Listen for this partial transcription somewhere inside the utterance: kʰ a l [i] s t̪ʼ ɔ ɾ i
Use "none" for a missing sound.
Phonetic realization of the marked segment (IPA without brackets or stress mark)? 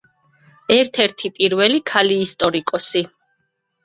iː